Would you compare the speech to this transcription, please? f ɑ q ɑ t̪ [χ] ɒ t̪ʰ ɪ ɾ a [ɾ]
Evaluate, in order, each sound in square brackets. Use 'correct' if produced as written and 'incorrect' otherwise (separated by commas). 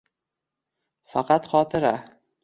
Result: correct, incorrect